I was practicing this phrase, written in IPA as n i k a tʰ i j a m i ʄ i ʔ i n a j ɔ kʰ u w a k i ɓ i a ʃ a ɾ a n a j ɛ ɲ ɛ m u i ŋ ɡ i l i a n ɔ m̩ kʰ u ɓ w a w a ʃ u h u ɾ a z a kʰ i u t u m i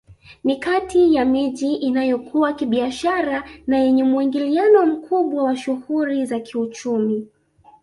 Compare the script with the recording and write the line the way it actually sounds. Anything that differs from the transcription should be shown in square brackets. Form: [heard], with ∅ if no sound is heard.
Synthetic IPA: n i k a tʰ i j a m i ʄ i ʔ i n a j ɔ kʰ u w a k i ɓ i a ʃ a ɾ a n a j ɛ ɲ ɛ m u i ŋ ɡ i l i a n ɔ m̩ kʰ u ɓ w a w a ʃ u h u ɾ [i] z a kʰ i u [t͡ʃ] u m i